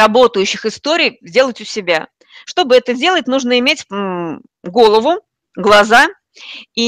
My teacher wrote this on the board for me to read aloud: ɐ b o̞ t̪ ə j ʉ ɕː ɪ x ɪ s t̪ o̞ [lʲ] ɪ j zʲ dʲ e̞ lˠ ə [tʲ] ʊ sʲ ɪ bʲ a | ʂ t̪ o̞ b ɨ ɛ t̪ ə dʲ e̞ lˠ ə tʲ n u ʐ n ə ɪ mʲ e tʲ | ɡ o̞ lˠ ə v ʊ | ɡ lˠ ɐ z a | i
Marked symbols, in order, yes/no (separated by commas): no, yes